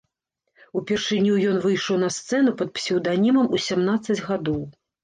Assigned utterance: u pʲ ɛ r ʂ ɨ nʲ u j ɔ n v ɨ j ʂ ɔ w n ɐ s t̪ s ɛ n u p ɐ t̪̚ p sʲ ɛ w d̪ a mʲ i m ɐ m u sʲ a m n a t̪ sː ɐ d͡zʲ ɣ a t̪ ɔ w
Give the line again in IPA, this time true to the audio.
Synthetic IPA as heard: u pʲ ɛ r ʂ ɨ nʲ u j ɔ n v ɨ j ʂ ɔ w n ɐ s t̪ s ɛ n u p ɐ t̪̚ p sʲ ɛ w d̪ a nʲ i m ɐ m u sʲ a m n a t̪ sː ɐ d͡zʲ ɣ a d̪ ɔ w